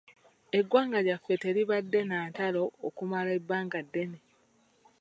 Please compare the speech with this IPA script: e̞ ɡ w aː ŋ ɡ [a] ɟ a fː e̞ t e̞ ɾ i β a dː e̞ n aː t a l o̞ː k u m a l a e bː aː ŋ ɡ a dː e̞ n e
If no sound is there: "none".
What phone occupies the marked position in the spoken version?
a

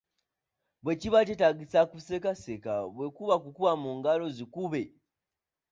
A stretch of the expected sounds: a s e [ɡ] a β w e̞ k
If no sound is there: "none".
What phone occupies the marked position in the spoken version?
k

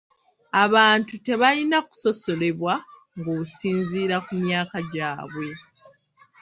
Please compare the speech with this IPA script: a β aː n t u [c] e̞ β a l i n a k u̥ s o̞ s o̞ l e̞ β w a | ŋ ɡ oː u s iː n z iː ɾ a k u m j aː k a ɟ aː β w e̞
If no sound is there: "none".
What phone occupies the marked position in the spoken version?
t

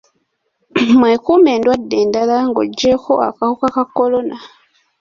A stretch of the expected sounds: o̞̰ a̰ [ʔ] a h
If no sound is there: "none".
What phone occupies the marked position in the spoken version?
k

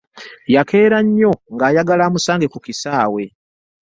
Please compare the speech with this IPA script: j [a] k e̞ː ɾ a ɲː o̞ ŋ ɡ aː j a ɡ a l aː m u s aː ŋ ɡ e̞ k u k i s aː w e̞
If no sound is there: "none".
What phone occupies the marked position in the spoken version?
a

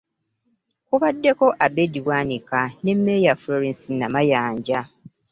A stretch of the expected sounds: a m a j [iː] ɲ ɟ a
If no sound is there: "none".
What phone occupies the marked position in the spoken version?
aː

